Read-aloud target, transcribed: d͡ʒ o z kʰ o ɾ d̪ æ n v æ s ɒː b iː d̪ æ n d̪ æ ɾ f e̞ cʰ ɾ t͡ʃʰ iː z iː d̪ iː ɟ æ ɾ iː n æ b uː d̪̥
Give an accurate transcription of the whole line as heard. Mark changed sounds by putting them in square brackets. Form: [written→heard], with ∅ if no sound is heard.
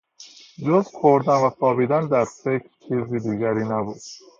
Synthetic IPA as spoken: d͡ʒ o z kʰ o ɾ d̪ æ n v æ s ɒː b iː d̪ æ n d̪ æ ɾ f e̞ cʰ ɾ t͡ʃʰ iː z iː d̪ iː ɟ æ ɾ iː n æ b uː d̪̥